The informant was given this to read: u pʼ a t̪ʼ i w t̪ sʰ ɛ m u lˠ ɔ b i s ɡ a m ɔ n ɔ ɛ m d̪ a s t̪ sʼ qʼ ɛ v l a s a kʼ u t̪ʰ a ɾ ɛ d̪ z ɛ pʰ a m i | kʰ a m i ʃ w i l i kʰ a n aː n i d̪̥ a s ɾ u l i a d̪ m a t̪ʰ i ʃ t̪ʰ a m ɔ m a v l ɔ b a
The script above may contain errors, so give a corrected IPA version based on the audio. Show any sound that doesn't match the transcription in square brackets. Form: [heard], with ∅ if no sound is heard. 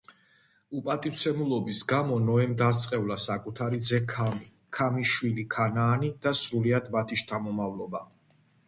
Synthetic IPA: u pʼ a t̪ʼ i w t̪ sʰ ɛ m u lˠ ɔ b i s ɡ a m ɔ n ɔ ɛ m d̪ a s t̪ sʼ qʼ ɛ v l a s a kʼ u t̪ʰ a ɾ [i] d̪ z ɛ [kʰ] a m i | kʰ a m i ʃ w i l i kʰ a n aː n i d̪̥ a s ɾ u l i a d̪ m a t̪ʰ i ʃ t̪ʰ a m ɔ m a v l ɔ b a